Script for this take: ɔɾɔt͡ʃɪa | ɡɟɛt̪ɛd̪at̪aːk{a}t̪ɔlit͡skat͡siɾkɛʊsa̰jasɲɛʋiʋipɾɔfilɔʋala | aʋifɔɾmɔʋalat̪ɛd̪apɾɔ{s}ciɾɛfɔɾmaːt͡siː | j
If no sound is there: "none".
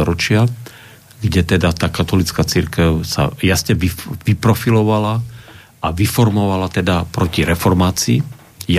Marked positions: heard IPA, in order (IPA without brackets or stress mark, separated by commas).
a, none